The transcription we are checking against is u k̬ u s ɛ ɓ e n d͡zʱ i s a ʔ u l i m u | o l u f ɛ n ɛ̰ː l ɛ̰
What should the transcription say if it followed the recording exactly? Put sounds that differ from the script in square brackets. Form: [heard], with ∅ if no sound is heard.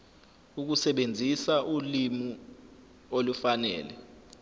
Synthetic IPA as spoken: u k̬ u s ɛ ɓ e n d͡zʱ i s a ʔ u l i m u | o l u f [a] n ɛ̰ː l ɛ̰